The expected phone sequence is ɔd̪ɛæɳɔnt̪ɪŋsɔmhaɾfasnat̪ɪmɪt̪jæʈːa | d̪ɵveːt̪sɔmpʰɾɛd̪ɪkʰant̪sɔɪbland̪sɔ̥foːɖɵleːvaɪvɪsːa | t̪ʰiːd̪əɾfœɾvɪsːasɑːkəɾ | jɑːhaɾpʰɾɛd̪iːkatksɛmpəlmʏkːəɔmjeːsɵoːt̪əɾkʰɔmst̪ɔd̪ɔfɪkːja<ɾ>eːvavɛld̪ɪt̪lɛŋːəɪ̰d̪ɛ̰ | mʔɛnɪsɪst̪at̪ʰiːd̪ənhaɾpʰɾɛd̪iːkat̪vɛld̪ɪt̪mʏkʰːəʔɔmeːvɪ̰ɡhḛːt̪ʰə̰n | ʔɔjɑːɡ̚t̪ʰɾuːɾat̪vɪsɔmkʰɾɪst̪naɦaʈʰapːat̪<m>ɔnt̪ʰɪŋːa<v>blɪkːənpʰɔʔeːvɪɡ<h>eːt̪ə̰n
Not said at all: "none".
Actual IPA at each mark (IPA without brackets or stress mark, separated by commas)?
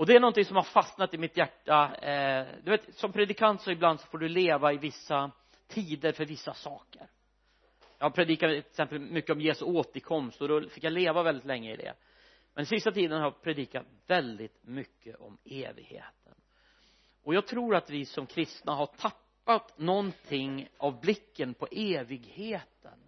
l, n, v, h